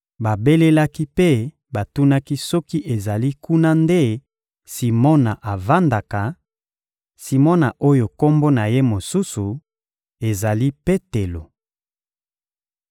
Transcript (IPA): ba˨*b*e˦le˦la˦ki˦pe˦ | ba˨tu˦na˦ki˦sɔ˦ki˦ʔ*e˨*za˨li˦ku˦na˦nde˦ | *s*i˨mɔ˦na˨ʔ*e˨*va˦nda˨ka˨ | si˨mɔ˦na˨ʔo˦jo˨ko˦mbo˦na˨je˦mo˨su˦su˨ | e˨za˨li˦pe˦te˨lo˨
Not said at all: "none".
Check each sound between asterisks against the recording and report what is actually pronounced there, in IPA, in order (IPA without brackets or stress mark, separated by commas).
b, e˨, s, a˨